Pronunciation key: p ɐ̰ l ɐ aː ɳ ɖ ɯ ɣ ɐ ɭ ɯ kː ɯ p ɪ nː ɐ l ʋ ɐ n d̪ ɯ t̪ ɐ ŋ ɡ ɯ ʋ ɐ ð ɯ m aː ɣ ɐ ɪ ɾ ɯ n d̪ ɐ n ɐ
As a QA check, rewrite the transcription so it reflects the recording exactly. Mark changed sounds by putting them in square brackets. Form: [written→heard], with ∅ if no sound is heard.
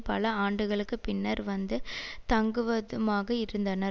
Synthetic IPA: p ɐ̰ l ɐ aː ɳ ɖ ɯ ɣ ɐ ɭ ɯ kː ɯ p ɪ nː ɐ [l→ɾ] ʋ ɐ n d̪ ɯ t̪ ɐ ŋ ɡ ɯ ʋ ɐ ð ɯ m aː ɣ ɐ ɪ ɾ ɯ n d̪ ɐ n ɐ